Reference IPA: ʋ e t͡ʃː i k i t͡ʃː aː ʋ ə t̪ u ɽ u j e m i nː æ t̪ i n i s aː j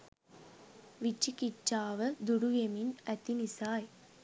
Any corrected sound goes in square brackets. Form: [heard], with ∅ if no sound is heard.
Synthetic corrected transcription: ʋ [i] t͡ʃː i k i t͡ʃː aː ʋ ə [d̪] u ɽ u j e m i [n] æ t̪ i n i s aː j